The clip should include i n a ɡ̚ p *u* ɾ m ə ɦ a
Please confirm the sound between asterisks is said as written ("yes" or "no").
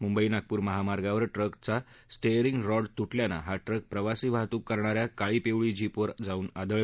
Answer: no